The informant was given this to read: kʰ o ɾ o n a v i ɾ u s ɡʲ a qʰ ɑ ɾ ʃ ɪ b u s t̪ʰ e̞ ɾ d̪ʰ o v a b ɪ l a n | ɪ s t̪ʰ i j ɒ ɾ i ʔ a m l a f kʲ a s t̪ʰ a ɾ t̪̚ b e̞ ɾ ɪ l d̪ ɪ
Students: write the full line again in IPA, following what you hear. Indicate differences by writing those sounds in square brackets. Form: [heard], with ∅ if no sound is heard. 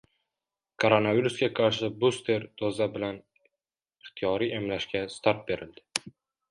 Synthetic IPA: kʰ o ɾ o n a v i ɾ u s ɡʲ a qʰ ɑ ɾ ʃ ɪ b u s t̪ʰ e̞ ɾ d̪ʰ o [z] a b ɪ l a n | ɪ [χ] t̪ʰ i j ɒ ɾ i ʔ [e] m l a [ʃ] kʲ a s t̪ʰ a ɾ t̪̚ b e̞ ɾ ɪ l d̪ ɪ